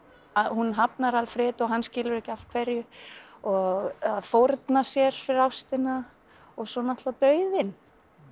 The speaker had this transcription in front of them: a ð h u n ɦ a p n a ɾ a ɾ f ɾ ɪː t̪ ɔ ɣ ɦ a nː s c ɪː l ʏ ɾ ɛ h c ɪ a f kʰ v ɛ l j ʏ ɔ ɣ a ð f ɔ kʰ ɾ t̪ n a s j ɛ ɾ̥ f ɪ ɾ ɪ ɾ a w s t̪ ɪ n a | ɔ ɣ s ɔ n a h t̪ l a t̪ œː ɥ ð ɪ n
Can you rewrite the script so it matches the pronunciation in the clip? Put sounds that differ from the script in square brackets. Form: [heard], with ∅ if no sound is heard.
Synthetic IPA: a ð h u n ɦ a p n a ɾ a [l] f ɾ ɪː t̪ ɔ ɣ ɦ a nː s c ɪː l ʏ ɾ ɛ h c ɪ a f kʰ v ɛ [ɾ] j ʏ ɔ ɣ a ð f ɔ [∅] ɾ t̪ n a s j ɛ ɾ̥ f ɪ ɾ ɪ ɾ a w s t̪ ɪ n a | ɔ ɣ s ɔ n a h t̪ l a t̪ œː ɥ ð ɪ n